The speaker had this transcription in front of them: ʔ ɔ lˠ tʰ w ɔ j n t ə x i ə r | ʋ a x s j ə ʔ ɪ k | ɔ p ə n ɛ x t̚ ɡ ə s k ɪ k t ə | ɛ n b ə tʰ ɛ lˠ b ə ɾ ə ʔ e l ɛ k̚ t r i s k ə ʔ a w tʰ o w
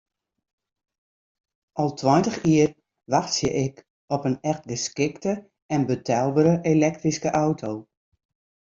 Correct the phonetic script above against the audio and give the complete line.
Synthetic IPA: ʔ ɔ lˠ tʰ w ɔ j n t ə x i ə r | ʋ a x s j ə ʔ ɪ k | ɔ p ə n ɛ x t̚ ɡ ə s k ɪ k t ə | ɛ n b ə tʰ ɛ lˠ b ə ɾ ə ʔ e l ɛ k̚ t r i s k ə ʔ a w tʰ o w

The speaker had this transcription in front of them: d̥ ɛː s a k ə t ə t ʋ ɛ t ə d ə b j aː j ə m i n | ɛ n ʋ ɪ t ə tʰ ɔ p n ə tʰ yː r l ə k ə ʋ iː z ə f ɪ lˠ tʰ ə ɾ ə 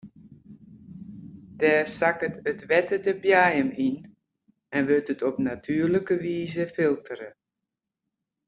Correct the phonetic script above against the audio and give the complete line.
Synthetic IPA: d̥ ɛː s a k ə t ə t ʋ ɛ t ə d ə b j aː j ə m i n | ɛ n ʋ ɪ t ə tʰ ɔ p n a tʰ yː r l ə k ə ʋ iː z ə f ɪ lˠ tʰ ə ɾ ə

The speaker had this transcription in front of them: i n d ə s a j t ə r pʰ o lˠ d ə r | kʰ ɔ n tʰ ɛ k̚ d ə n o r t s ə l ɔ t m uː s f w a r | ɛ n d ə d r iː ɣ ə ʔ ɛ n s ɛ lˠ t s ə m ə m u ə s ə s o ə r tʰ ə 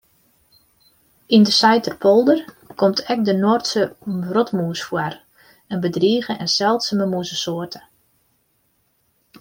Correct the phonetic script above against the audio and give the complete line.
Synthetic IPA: i n d ə s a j t ə r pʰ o lˠ d ə r | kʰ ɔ m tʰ ɛ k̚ d ə n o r t s ə r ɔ t m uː s f w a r | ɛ n b ə d r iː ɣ ə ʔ ɛ n s ɛ lˠ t s ə m ə m u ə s ə s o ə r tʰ ə

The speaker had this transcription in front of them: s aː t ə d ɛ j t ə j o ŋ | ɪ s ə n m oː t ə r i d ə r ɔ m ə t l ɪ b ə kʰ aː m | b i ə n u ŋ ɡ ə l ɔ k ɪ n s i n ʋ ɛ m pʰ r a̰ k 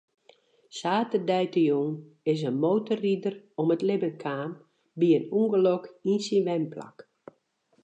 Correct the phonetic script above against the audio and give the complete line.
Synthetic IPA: s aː t ə d ɛ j t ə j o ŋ | ɪ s ə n m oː t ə r i d ə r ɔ m ə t l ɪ b ə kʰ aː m | b i ə n u ŋ ɡ ə l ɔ k i n s i n ʋ ɛ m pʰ l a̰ k

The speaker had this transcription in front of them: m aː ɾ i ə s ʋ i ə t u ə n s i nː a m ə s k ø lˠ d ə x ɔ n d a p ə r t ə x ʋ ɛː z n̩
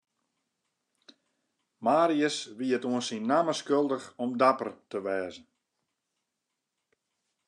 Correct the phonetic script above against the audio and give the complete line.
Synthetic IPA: m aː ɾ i ə s ʋ i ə t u ə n s i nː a m ə s k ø lˠ d ə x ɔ m d a p ə r t ə ʋ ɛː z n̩

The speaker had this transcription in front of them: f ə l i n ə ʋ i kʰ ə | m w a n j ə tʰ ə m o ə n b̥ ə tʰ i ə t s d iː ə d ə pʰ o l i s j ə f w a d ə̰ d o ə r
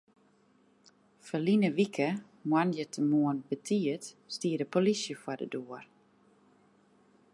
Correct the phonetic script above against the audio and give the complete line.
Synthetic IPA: f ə l i n ə ʋ i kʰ ə | m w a n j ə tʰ ə m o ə n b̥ ə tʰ i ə t s t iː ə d ə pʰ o l i s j ə f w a d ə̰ d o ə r

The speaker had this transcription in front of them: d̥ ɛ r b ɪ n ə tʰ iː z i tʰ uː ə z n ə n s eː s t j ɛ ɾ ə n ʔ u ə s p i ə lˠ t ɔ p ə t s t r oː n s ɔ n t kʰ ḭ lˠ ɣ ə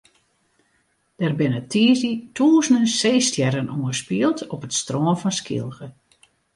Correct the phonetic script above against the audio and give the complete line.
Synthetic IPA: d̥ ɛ r b ɪ n ə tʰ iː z i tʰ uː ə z n ə n s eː s t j ɛ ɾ ə n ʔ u ə s p i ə lˠ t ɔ p ə t s t r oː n f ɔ n s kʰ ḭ lˠ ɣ ə

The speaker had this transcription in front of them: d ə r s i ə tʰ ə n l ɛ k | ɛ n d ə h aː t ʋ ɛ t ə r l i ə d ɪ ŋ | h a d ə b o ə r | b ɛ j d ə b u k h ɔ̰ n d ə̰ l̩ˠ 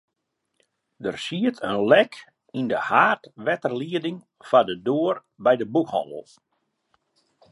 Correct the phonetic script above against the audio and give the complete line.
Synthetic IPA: d ə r s i ə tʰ ə n l ɛ k | i n d ə h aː t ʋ ɛ t ə r l i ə d ɪ ŋ | f a d ə d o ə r | b ɛ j d ə b u k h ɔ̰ n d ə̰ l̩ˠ

